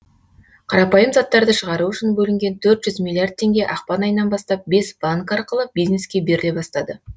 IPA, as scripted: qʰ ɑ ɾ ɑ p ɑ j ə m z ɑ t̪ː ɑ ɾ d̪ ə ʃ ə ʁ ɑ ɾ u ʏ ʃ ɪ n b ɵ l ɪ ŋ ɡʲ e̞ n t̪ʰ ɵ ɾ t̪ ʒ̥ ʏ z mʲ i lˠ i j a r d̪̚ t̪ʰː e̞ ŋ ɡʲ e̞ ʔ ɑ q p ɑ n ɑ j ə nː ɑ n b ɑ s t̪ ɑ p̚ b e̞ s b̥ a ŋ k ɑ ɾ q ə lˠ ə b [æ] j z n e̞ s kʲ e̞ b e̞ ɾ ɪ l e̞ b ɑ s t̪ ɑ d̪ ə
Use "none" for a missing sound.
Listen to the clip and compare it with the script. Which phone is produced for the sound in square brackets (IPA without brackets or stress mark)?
i